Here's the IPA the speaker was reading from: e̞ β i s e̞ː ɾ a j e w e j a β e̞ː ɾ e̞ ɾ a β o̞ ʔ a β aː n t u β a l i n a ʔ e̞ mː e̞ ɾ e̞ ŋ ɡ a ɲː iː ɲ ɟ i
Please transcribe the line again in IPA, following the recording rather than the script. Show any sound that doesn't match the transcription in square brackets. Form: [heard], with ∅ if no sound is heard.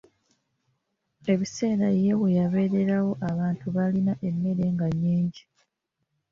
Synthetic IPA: e̞ β i s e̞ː ɾ a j e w e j a β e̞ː ɾ e̞ ɾ a [w] o̞ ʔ a β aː n t u β a l i n a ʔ e̞ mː e̞ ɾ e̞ ŋ ɡ a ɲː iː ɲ ɟ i